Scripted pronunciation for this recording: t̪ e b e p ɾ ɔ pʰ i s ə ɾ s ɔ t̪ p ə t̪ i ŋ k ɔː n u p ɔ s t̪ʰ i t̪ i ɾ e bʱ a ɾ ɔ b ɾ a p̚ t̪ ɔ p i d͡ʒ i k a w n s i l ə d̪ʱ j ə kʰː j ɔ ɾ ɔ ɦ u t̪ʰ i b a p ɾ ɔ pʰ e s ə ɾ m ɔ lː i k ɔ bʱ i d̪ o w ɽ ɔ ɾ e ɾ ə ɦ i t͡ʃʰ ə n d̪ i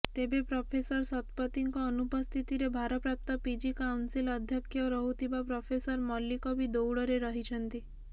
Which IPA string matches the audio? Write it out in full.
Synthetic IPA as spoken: t̪ e b e p ɾ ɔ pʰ e s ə ɾ s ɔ t̪ p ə t̪ i ŋ k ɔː n u p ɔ s t̪ʰ i t̪ i ɾ e bʱ a ɾ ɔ p ɾ a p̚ t̪ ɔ p i d͡ʒ i k a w n s i l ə d̪ʱ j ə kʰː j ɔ ɾ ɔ ɦ u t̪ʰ i b a p ɾ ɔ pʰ e s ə ɾ m ɔ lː i k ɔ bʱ i d̪ o w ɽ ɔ ɾ e ɾ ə ɦ i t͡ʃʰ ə n t̪ i

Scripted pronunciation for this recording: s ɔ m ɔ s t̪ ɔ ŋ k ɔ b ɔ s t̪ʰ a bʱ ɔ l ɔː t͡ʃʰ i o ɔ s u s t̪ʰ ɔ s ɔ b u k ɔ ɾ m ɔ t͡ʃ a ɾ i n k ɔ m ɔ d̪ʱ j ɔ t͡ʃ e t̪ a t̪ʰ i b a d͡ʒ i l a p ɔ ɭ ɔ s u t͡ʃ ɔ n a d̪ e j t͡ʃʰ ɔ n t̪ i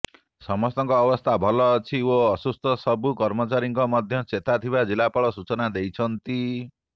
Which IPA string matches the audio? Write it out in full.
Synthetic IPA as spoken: s ɔ m ɔ s t̪ ɔ ŋ k ɔː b ɔ s t̪ʰ a bʱ ɔ l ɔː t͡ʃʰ i o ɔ s u s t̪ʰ ɔ s ɔ b u k ɔ ɾ m ɔ t͡ʃ a ɾ i ŋ k ɔ m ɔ d̪ʱ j ɔ t͡ʃ e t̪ a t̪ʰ i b a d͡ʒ i l a p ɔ ɭ ɔ s u t͡ʃ ɔ n a d̪ e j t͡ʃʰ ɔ n t̪ i

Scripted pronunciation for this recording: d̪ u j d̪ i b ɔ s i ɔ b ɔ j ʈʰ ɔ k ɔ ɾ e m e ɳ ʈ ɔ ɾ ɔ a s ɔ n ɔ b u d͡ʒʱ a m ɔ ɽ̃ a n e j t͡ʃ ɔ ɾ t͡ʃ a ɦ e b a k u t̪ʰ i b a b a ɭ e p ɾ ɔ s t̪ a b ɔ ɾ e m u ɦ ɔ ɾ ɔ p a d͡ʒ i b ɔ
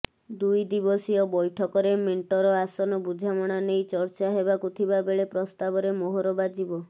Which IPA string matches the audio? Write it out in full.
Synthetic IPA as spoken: d̪ u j d̪ i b ɔ s i ɔ b ɔ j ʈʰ ɔ k ɔ ɾ e m e ɳ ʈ ɔ ɾ ɔ a s ɔ n ɔ b u d͡ʒʱ a m ɔ ɽ̃ a n e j t͡ʃ ɔ ɾ t͡ʃ a ɦ e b a k u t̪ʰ i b a b e ɭ e p ɾ ɔ s t̪ a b ɔ ɾ e m o ɦ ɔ ɾ ɔ b a d͡ʒ i b ɔ

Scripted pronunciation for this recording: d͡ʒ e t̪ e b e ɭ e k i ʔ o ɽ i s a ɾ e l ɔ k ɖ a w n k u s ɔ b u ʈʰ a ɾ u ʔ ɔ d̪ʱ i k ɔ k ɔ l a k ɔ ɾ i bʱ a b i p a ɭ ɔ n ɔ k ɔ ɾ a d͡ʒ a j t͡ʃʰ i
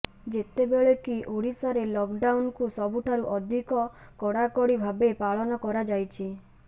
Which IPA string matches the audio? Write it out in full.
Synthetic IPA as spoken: d͡ʒ e t̪ e b e ɭ e k i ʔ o ɽ i s a ɾ e l ɔ k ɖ a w n k u s ɔ b u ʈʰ a ɾ u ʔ ɔ d̪ʱ i k ɔ k ɔ ɽ a k ɔ ɽ i bʱ a b e p a ɭ ɔ n ɔ k ɔ ɾ a d͡ʒ a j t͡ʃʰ i

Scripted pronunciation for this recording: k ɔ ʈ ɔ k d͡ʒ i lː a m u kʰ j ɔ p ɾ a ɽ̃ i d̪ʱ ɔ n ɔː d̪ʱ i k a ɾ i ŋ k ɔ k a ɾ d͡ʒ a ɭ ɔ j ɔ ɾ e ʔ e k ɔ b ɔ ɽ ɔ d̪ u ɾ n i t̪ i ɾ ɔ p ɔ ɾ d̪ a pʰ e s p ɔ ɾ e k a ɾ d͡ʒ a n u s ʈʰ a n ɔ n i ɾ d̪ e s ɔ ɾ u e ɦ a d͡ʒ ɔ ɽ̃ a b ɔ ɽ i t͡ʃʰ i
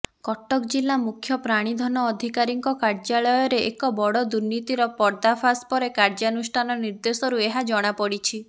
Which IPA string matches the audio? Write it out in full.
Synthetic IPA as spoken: k ɔ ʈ ɔ k d͡ʒ i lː a m u kʰ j ɔ p ɾ a ɽ̃ i d̪ʱ ɔ n ɔː d̪ʱ i k a ɾ i ŋ k ɔ k a ɾ d͡ʒ a ɭ ɔ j ɔ ɾ e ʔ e k ɔ b ɔ ɽ ɔ d̪ u ɾ n i t̪ i ɾ ɔ p ɔ ɾ d̪ a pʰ a s p ɔ ɾ e k a ɾ d͡ʒ a n u s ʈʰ a n ɔ n i ɾ d̪ e s ɔ ɾ u e ɦ a d͡ʒ ɔ ɽ̃ a p ɔ ɽ i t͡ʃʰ i

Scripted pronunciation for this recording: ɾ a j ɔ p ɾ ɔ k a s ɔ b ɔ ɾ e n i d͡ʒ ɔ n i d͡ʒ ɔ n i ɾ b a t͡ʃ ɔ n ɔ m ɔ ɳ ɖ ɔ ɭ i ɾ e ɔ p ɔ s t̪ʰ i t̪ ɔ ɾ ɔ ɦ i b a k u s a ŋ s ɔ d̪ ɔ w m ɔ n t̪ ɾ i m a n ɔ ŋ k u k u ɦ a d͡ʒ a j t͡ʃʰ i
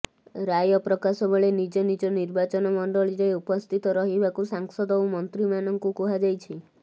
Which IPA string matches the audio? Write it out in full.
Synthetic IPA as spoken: ɾ a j ɔ p ɾ ɔ k a s ɔ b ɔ ɭ e n i d͡ʒ ɔ n i d͡ʒ ɔ n i ɾ b a t͡ʃ ɔ n ɔ m ɔ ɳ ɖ ɔ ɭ i ɾ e u p ɔ s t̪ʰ i t̪ ɔ ɾ ɔ ɦ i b a k u s a ŋ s ɔ d̪ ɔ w m ɔ n t̪ ɾ i m a n ɔ ŋ k u k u ɦ a d͡ʒ a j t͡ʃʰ i

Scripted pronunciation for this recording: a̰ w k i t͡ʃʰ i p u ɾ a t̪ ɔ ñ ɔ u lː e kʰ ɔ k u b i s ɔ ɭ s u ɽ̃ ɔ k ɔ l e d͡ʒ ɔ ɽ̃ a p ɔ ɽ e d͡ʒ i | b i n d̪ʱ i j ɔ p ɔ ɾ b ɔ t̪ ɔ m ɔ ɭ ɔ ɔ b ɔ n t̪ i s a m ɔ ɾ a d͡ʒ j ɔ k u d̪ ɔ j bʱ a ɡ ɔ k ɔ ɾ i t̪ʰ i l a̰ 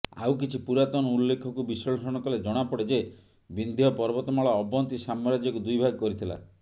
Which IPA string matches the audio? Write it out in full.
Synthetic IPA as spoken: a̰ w k i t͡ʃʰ i p u ɾ a t̪ ɔ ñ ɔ u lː e kʰ ɔ k u b i s ɔ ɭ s ɔ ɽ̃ ɔ k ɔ l e d͡ʒ ɔ ɽ̃ a p ɔ ɽ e d͡ʒ e | b i n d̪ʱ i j ɔ p ɔ ɾ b ɔ t̪ ɔ m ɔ ɭ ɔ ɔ b ɔ n t̪ i s a m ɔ ɾ a d͡ʒ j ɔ k u d̪ u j bʱ a ɡ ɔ k ɔ ɾ i t̪ʰ i l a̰

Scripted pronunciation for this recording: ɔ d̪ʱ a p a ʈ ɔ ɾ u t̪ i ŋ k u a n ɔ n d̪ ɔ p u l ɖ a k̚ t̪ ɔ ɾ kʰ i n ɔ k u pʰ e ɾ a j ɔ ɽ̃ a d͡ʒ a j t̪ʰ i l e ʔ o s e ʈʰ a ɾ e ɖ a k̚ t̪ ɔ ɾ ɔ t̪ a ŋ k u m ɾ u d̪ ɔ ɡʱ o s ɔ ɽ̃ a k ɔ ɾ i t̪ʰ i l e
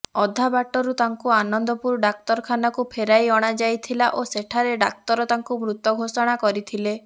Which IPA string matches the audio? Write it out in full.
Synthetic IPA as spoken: ɔ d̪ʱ a b a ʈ ɔ ɾ u t̪ a ŋ k u a n ɔ n d̪ ɔ p u ɾ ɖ a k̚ t̪ ɔ ɾ kʰ a n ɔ k u pʰ e ɾ a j ɔ ɽ̃ a d͡ʒ a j t̪ʰ i l a ʔ o s e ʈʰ a ɾ e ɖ a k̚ t̪ ɔ ɾ ɔ t̪ a ŋ k u m ɾ u t̪ ɔ ɡʱ o s ɔ ɽ̃ a k ɔ ɾ i t̪ʰ i l e

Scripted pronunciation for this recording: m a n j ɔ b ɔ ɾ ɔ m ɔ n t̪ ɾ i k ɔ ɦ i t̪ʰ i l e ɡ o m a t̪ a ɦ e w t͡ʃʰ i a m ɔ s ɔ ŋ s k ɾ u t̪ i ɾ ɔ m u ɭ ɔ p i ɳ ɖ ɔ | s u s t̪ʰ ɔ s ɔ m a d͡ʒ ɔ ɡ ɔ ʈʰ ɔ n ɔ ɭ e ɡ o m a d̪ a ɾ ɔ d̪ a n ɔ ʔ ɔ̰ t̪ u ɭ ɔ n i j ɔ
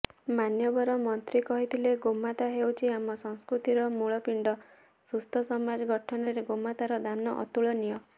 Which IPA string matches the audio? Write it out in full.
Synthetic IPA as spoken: m a n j ɔ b ɔ ɾ ɔ m ɔ n t̪ ɾ i k ɔ ɦ i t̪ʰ i l e ɡ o m a t̪ a ɦ e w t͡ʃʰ i a m ɔ s ɔ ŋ s k ɾ u t̪ i ɾ ɔ m u ɭ ɔ p i ɳ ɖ ɔ | s u s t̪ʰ ɔ s ɔ m a d͡ʒ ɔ ɡ ɔ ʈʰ ɔ n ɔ ɾ e ɡ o m a t̪ a ɾ ɔ d̪ a n ɔ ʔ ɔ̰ t̪ u ɭ ɔ n i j ɔ

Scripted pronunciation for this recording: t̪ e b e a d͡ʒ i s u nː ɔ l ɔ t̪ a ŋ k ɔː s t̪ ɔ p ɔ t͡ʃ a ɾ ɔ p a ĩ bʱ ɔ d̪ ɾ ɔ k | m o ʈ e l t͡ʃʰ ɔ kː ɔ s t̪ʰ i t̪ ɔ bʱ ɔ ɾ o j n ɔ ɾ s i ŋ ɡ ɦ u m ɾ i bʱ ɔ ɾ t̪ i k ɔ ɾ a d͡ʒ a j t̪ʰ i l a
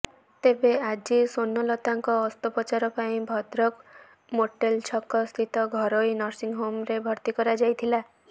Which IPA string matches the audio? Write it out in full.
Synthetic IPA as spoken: t̪ e b e a d͡ʒ i s o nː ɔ l ɔ t̪ a ŋ k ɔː s t̪ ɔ p ɔ t͡ʃ a ɾ ɔ p a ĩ bʱ ɔ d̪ ɾ ɔ k | m o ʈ e l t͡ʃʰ ɔ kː ɔ s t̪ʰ i t̪ ɔ ɡʱ ɔ ɾ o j n ɔ ɾ s i ŋ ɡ ɦ o m ɾ e bʱ ɔ ɾ t̪ i k ɔ ɾ a d͡ʒ a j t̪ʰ i l a

